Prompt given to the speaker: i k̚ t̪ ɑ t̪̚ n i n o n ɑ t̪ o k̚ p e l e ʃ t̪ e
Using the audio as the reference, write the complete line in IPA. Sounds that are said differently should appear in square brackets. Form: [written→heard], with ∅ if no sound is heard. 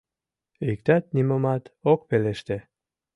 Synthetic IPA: i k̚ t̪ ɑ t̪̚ n i [n→m] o [n→m] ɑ t̪ o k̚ p e l e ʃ t̪ e